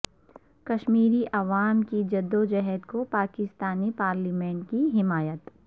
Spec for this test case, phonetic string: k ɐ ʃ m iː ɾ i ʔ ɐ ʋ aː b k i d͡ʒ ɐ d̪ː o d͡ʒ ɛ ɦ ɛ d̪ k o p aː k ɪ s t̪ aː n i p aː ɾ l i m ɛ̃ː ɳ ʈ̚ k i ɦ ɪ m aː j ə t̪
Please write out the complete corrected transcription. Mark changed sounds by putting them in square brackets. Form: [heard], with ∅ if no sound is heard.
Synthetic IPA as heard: k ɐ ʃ m iː ɾ i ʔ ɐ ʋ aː [m] k i d͡ʒ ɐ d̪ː o d͡ʒ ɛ ɦ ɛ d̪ k o p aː k ɪ s t̪ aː n i p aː ɾ l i m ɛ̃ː ɳ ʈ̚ k i ɦ ɪ m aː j ə t̪